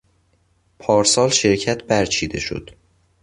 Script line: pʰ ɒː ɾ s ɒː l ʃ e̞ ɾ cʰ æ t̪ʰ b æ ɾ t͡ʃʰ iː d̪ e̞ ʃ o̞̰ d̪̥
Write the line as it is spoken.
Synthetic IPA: pʰ ɒː ɾ s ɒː l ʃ e̞ ɾ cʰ æ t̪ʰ b æ ɾ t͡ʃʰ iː d̪ e̞ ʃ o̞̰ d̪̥